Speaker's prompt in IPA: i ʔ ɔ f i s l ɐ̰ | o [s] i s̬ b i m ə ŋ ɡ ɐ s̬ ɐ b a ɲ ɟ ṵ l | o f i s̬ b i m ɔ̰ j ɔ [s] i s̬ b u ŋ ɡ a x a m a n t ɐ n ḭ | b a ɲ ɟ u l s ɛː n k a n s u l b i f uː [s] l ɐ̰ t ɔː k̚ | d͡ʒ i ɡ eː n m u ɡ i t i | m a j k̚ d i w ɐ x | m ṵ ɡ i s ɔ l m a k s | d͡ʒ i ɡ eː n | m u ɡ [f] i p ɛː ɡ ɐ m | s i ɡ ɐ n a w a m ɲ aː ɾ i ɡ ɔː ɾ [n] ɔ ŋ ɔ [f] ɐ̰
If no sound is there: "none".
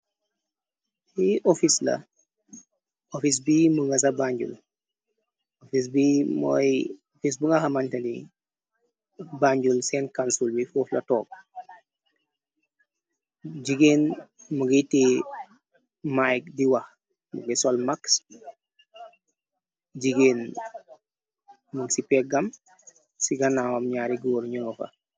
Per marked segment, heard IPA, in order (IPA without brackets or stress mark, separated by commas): f, f, f, s, ɲ, f